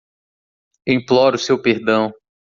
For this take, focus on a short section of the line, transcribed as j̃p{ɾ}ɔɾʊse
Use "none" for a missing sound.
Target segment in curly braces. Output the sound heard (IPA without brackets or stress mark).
l